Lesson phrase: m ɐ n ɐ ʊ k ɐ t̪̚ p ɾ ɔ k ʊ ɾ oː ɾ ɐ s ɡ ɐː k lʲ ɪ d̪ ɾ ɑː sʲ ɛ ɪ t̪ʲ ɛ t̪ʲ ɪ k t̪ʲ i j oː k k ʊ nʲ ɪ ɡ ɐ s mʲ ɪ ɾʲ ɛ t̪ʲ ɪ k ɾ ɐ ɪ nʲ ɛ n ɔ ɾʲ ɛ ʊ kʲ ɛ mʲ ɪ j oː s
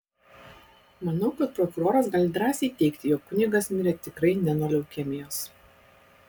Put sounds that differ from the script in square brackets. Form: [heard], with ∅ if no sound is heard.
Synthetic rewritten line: m ɐ n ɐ ʊ k ɐ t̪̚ p ɾ ɔ k ʊ ɾ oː ɾ ɐ s ɡ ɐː [∅] lʲ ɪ d̪ ɾ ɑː sʲ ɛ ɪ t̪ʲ ɛ [∅] ɪ k t̪ʲ [ɪ] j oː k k ʊ nʲ ɪ ɡ ɐ s mʲ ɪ ɾʲ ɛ t̪ʲ ɪ k ɾ ɐ ɪ nʲ ɛ n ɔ [lʲ] ɛ ʊ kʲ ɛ mʲ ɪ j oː s